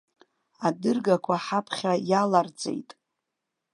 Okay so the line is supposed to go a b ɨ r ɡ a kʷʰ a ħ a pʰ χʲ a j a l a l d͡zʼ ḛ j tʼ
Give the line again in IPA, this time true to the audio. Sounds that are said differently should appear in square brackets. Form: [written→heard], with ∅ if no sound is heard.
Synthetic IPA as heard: a [b→d] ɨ r ɡ a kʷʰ a ħ a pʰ χʲ a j a l a [l→r] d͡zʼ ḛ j tʼ